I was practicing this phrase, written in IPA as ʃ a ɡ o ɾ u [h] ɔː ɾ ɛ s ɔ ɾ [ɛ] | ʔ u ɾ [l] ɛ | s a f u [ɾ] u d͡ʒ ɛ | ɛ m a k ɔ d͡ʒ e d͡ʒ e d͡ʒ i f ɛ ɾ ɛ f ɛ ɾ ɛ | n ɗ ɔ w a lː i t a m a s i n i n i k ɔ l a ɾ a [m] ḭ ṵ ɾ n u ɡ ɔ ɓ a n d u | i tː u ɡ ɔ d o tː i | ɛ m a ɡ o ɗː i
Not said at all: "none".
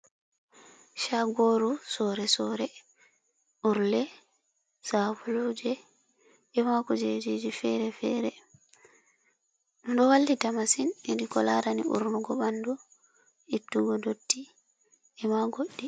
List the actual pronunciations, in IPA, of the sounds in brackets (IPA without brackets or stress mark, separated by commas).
s, ɛ, l, l, n